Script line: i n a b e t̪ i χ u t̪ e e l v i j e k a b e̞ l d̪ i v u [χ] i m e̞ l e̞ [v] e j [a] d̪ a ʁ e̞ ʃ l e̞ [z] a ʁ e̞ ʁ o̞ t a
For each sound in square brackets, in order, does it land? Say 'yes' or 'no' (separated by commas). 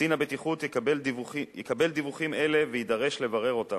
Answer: yes, yes, no, no